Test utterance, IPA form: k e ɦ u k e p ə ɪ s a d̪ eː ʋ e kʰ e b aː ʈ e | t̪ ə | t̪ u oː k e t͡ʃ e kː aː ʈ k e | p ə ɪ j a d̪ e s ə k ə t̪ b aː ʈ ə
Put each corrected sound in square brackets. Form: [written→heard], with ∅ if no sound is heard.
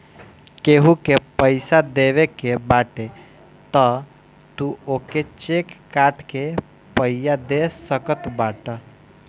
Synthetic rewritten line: k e ɦ u k e p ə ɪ s a d̪ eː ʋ e [kʰ→k] e b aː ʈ e | t̪ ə | t̪ u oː k e t͡ʃ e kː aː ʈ k e | p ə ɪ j a d̪ e s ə k ə t̪ b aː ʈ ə